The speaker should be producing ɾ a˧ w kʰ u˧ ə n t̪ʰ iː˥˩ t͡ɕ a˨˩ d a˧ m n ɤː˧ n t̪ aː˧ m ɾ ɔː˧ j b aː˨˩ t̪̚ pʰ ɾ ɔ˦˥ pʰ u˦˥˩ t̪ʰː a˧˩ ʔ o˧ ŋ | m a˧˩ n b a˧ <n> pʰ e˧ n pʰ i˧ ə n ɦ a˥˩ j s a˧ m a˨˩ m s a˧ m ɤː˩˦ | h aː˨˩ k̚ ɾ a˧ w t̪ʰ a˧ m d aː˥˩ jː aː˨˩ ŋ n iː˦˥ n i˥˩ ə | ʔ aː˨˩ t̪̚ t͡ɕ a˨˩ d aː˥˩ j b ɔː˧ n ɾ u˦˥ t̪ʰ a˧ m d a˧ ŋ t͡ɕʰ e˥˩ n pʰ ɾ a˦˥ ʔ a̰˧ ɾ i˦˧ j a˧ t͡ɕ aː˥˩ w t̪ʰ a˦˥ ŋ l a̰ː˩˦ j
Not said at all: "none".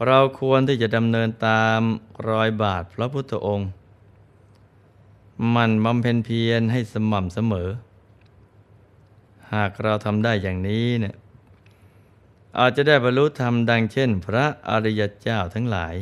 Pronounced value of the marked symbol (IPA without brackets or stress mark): m